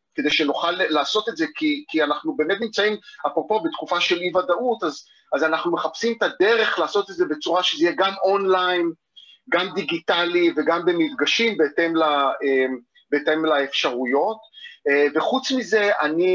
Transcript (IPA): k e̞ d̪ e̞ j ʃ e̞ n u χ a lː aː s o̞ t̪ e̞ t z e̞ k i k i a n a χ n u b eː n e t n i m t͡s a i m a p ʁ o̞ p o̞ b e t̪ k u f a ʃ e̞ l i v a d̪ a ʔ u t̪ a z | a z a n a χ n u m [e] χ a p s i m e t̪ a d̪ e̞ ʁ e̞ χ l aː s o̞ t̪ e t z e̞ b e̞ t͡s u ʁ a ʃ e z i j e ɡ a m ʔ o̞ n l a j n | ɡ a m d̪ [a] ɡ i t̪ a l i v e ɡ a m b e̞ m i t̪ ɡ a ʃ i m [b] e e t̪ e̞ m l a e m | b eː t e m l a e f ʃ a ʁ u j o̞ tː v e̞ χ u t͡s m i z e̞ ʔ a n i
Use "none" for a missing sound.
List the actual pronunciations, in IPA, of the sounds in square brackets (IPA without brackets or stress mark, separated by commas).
e, i, b